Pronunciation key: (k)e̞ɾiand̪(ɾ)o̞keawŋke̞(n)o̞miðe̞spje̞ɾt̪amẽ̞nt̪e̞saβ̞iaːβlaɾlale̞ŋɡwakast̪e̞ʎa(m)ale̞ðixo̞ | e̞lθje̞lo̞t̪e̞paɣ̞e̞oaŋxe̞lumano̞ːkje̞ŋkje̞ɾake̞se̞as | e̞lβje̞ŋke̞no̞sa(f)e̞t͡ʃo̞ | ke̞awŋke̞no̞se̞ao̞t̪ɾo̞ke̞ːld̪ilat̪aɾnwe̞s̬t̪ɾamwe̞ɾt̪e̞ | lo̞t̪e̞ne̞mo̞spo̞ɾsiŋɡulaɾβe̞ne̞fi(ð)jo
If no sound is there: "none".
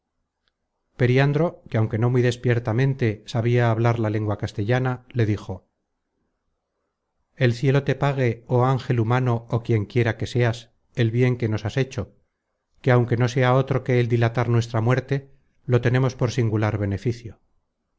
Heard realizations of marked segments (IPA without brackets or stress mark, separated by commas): p, ɾ, n, n, s, θ